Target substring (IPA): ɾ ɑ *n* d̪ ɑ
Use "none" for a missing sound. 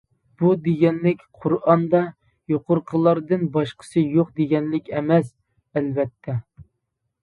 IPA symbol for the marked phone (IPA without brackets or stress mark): n